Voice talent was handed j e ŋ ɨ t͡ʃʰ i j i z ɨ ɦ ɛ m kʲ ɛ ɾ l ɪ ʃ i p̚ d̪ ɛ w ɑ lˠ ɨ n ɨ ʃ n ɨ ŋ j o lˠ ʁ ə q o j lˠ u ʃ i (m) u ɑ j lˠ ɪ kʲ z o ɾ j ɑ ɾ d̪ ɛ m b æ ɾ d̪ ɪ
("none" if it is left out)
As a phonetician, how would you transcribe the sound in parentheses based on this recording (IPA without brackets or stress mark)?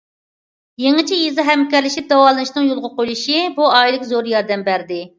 b